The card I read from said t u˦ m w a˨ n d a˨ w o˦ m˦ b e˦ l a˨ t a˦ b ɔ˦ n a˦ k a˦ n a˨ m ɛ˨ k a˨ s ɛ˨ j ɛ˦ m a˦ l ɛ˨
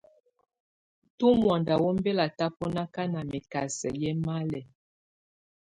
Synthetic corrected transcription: t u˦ m w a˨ n d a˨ w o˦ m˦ b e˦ l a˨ t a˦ p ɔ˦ n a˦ k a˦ n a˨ m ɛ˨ k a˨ s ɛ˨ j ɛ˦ m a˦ l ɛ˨